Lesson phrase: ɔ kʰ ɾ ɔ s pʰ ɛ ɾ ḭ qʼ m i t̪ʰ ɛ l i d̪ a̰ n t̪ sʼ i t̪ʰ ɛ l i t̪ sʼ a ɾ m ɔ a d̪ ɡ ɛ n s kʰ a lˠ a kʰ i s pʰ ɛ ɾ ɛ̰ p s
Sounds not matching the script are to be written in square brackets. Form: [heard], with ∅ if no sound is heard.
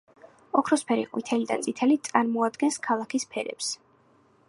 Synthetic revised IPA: ɔ kʰ ɾ ɔ s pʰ ɛ ɾ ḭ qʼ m i t̪ʰ ɛ l i d̪ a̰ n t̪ sʼ i t̪ʰ ɛ l i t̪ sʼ a ɾ m ɔ a d̪ ɡ ɛ n s kʰ a lˠ a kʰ i s pʰ ɛ ɾ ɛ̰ p s